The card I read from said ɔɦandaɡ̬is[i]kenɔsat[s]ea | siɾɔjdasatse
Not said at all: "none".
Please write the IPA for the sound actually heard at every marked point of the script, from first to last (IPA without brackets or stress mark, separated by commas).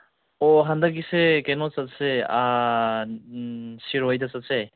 e, s